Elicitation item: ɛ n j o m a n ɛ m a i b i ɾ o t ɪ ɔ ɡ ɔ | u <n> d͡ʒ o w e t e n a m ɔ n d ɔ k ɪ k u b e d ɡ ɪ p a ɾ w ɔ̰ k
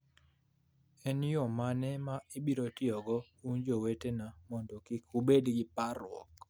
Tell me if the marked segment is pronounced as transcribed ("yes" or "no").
yes